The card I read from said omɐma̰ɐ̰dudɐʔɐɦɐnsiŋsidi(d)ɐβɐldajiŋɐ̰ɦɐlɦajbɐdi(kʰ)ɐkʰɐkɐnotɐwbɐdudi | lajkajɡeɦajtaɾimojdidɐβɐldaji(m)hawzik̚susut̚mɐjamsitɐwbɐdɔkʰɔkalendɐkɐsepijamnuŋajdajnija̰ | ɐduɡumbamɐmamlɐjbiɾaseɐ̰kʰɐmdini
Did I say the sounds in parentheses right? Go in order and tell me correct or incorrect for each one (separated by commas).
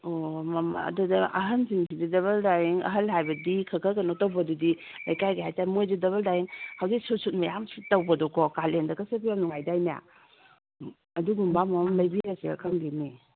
correct, correct, incorrect